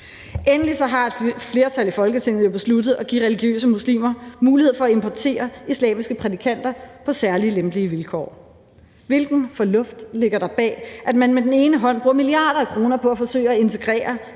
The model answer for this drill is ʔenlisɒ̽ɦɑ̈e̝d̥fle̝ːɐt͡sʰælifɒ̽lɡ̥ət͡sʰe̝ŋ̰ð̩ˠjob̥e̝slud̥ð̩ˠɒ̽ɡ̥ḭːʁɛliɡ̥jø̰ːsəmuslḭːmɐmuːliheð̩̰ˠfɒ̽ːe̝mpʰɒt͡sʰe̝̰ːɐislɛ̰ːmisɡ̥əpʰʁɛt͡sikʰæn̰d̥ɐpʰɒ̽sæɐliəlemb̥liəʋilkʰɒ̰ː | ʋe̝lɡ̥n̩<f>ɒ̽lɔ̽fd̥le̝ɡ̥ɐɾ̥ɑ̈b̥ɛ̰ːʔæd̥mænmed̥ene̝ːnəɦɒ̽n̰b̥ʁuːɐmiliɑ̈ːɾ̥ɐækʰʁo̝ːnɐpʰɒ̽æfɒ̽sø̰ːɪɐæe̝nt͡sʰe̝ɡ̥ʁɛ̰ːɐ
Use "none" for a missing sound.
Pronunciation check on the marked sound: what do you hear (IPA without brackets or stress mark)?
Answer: f